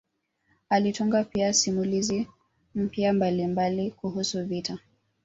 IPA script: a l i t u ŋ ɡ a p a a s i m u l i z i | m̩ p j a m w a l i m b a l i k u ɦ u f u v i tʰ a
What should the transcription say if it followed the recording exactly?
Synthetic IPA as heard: a l i t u ŋ ɡ a p i a s i m u l i z i | m̩ p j a m b a l i m b a l i k u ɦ u s u v i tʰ a